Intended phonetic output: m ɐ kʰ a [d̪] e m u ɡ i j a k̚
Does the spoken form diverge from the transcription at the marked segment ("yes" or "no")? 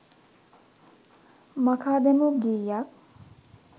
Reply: no